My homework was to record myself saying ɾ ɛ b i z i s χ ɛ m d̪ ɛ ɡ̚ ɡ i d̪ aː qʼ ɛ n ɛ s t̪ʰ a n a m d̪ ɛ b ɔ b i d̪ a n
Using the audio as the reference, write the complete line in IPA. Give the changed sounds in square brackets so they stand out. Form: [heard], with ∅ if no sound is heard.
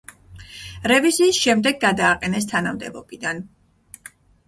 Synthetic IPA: ɾ ɛ [v] i z [iː] s [ʃ] ɛ m d̪ ɛ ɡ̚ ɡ [a] d̪ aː qʼ ɛ n ɛ s t̪ʰ a n a m d̪ ɛ b ɔ b i d̪ a n